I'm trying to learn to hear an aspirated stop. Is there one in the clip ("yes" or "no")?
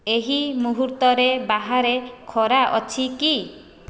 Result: yes